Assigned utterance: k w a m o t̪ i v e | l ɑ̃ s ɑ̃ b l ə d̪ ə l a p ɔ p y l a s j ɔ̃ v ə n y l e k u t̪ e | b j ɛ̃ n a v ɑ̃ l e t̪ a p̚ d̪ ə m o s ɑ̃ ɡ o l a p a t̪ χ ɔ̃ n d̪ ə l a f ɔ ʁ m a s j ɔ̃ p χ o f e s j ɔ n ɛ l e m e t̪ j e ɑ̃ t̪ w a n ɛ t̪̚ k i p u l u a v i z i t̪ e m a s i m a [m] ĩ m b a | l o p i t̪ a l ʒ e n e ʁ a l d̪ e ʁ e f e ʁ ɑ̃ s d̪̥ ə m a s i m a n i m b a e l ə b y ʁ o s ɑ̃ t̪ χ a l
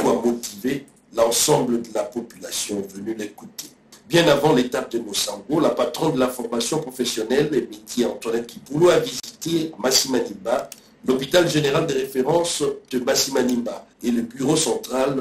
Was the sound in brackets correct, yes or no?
no